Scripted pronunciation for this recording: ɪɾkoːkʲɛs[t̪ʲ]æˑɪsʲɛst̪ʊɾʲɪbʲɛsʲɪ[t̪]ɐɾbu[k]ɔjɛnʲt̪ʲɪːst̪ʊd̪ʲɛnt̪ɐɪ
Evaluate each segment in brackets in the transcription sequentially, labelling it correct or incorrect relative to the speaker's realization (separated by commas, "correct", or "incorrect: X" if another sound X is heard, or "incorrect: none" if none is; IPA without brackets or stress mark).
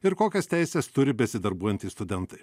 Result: correct, incorrect: d̪, incorrect: none